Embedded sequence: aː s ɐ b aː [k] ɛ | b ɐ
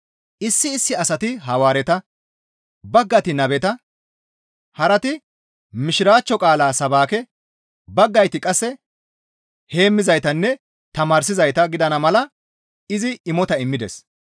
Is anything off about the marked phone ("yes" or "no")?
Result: no